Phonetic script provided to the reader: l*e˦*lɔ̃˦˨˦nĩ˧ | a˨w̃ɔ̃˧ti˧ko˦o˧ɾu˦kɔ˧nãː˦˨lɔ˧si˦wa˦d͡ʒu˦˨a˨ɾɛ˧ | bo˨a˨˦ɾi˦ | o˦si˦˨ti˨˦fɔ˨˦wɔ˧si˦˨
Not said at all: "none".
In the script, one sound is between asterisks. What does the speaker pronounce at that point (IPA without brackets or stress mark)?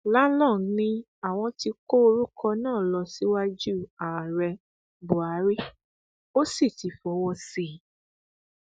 a˦